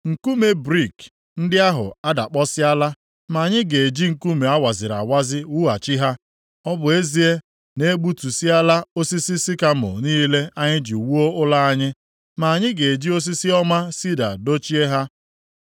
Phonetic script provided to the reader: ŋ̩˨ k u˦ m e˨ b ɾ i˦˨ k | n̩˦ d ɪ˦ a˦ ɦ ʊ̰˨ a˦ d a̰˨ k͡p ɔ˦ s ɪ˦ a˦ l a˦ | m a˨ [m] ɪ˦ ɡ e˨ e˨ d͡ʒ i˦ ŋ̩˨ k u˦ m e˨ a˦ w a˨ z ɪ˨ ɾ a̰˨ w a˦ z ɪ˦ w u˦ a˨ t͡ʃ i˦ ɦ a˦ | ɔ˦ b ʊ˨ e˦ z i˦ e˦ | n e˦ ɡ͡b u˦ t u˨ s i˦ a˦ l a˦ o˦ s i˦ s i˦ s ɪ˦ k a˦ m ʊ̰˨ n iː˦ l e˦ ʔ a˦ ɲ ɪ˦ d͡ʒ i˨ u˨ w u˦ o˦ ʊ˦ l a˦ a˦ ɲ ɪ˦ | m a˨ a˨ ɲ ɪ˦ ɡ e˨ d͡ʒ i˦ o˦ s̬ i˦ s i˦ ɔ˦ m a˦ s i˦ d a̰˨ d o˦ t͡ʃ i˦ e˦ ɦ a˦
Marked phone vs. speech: incorrect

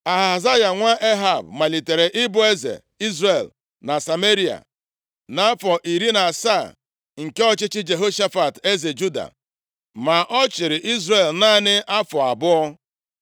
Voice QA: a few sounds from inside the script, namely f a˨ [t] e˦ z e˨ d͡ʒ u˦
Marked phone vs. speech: correct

